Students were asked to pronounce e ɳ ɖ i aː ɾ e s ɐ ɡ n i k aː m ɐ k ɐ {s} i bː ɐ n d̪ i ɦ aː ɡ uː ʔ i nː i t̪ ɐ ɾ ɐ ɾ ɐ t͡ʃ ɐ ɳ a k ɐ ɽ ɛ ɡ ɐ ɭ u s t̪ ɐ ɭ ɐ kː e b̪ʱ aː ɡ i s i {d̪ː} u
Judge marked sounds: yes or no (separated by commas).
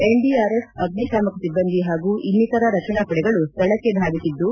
yes, yes